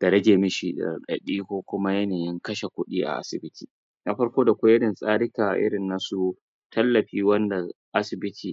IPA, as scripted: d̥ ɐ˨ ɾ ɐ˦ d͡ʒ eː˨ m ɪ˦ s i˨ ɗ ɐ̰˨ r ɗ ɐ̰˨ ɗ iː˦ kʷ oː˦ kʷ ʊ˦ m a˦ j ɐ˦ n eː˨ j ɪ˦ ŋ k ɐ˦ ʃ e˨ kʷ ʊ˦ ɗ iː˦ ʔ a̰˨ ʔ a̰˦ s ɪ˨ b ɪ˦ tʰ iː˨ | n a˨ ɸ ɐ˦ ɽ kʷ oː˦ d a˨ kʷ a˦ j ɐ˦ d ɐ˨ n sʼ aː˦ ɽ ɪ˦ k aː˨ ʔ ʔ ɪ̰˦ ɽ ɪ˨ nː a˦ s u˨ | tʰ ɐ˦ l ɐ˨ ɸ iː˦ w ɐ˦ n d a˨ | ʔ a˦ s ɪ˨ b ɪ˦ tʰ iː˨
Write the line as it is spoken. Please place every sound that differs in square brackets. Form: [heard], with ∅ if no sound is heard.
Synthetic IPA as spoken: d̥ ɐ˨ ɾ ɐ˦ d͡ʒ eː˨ m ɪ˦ [ʃ] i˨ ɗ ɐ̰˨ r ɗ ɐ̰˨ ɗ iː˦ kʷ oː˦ kʷ ʊ˦ m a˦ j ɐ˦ n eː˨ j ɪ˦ ŋ k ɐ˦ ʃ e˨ kʷ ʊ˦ ɗ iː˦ ʔ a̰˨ ʔ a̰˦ s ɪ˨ b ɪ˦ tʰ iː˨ | n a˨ ɸ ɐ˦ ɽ kʷ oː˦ d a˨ kʷ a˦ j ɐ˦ d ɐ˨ n sʼ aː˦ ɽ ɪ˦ k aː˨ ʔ ʔ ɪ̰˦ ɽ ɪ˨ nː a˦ s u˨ | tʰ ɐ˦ [lː] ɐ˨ ɸ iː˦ w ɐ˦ n d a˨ | ʔ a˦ s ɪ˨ b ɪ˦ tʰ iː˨

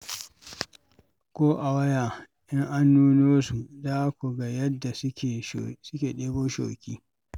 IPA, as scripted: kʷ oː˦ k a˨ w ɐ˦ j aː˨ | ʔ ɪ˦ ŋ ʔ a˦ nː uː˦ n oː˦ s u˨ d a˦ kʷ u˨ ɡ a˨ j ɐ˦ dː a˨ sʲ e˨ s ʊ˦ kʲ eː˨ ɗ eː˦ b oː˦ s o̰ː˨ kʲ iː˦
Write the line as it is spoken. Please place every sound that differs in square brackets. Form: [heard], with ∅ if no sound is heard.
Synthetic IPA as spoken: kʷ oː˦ [ʔ] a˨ w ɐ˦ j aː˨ | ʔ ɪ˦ ŋ ʔ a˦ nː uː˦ n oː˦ s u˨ d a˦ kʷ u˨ ɡ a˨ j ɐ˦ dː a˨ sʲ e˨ s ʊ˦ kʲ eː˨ ɗ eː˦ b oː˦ [ʃ] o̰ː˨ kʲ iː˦

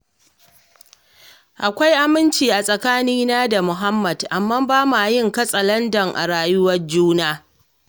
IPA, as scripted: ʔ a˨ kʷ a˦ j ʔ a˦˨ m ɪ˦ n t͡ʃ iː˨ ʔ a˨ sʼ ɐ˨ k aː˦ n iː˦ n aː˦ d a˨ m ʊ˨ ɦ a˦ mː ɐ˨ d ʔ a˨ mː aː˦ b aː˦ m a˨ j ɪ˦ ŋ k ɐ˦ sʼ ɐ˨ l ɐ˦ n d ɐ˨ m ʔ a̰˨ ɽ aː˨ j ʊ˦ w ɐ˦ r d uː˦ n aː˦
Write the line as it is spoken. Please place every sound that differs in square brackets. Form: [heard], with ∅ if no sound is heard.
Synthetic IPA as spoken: ʔ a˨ kʷ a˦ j ʔ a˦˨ m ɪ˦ n t͡ʃ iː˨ ʔ a˨ sʼ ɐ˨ k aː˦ n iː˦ n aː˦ d a˨ m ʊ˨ ɦ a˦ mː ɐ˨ d ʔ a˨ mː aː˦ b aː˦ m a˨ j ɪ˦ ŋ k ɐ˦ sʼ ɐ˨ l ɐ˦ n d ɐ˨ [ŋ] ʔ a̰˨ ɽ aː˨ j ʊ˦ w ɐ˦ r [d͡ʒ] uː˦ n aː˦

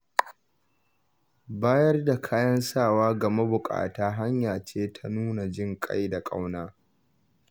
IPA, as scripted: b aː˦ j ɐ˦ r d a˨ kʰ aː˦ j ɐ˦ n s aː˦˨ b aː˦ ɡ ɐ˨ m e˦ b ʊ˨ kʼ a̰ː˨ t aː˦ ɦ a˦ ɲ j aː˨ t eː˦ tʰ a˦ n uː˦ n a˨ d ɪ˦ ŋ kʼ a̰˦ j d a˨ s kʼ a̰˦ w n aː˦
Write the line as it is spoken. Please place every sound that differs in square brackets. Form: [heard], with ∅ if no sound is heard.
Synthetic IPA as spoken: b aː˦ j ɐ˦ r d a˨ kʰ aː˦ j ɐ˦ n s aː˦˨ [w] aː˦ ɡ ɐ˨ m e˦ b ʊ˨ kʼ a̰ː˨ t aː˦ ɦ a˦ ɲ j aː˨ [t͡ʃ] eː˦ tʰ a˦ n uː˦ n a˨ [d͡ʒ] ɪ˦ ŋ kʼ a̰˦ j d a˨ [∅] kʼ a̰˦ w n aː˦

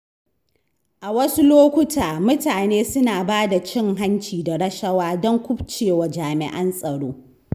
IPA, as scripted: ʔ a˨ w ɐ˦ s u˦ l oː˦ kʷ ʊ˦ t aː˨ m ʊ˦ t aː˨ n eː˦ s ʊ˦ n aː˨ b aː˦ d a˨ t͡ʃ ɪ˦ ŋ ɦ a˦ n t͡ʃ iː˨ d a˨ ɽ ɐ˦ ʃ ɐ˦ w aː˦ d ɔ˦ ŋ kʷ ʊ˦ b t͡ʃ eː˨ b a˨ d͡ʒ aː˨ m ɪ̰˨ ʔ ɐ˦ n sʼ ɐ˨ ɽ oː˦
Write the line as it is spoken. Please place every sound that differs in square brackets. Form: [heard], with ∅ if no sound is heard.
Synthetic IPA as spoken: ʔ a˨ w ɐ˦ s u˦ l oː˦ kʷ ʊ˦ t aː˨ m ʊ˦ t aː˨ n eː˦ s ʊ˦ n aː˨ b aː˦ d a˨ t͡ʃ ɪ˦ ŋ ɦ a˦ n t͡ʃ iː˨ d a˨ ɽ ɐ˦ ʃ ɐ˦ w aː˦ d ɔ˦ ŋ kʷ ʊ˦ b t͡ʃ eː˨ [w] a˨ d͡ʒ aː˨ m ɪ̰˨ ʔ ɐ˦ n sʼ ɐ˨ ɽ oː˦

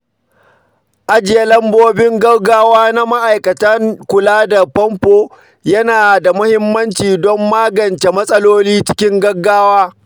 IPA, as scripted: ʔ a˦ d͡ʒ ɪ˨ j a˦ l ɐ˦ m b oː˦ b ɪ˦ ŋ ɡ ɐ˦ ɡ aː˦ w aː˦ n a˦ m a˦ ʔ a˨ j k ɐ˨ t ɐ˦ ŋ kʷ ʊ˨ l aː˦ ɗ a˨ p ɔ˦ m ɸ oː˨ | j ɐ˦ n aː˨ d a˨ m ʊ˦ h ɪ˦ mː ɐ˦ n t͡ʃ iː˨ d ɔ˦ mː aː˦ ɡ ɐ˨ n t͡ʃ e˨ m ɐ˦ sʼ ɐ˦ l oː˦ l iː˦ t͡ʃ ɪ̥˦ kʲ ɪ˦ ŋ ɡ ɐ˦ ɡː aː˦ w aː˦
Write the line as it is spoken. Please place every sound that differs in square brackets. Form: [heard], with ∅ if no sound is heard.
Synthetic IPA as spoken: ʔ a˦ d͡ʒ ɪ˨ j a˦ l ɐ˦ m b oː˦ b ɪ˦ ŋ ɡ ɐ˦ ɡ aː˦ w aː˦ n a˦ m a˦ ʔ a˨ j k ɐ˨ t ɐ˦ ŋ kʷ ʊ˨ l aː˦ [d] a˨ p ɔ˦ m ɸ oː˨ | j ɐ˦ n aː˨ d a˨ m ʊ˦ h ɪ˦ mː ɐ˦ n t͡ʃ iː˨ d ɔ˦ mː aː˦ ɡ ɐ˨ n t͡ʃ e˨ m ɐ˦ sʼ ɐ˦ l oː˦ l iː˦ t͡ʃ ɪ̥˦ kʲ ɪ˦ ŋ ɡ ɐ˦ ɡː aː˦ w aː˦

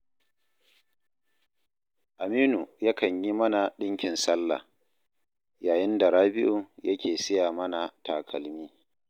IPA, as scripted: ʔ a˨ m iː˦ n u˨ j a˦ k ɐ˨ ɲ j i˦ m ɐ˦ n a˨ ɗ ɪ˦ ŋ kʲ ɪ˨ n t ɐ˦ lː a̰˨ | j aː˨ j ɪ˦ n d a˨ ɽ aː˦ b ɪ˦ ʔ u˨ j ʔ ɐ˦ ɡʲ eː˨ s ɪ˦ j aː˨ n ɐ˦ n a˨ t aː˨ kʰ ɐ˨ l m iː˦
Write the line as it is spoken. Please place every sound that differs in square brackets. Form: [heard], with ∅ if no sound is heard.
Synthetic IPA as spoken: ʔ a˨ m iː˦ n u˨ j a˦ k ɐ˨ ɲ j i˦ m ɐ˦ n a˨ ɗ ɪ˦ ŋ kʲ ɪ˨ n [s] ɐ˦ lː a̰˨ | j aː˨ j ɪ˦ n d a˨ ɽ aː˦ b ɪ˦ ʔ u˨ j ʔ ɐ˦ [kʲ] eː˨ s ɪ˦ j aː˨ [m] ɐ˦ n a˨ t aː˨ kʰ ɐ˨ l m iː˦

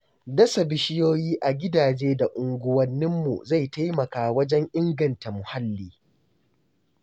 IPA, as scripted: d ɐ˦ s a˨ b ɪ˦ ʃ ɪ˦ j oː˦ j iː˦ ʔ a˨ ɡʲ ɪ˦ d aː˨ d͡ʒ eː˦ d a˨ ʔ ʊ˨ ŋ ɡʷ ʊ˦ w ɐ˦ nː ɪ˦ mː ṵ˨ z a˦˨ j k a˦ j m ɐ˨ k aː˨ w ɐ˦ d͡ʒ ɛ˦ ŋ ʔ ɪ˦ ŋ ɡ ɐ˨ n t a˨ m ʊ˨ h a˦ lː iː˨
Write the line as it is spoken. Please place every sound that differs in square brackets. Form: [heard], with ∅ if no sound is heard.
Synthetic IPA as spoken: d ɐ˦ s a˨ b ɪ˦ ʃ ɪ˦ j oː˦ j iː˦ ʔ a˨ ɡʲ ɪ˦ d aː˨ d͡ʒ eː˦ d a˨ ʔ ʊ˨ ŋ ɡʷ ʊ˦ w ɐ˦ nː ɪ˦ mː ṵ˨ z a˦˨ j [t] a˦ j m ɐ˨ k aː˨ w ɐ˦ d͡ʒ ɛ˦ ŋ ʔ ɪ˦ ŋ ɡ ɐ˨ n t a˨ m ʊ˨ h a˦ lː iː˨

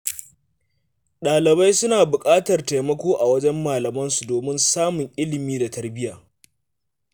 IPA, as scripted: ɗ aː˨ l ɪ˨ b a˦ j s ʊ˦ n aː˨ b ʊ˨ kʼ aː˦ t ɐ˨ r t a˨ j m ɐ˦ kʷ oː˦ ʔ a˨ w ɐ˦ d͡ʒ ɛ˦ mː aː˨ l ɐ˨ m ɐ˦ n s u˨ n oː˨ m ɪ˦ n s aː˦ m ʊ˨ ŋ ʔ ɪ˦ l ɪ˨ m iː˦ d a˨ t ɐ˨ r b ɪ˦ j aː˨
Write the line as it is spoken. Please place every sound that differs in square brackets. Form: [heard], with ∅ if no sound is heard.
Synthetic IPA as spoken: ɗ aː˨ l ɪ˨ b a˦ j s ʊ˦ n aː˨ b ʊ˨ kʼ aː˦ t ɐ˨ r t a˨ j m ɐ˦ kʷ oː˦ ʔ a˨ w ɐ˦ d͡ʒ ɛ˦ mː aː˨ l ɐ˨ m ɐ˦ n s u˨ [d] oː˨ m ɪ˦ n s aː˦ m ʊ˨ ŋ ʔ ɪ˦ l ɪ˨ m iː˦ d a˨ t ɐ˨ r b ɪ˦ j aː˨

